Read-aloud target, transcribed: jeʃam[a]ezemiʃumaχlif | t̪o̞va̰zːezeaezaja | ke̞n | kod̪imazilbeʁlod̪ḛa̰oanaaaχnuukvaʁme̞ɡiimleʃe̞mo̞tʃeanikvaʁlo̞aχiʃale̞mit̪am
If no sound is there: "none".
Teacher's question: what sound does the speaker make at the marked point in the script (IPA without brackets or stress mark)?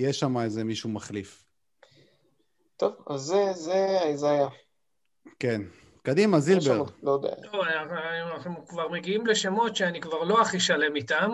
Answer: a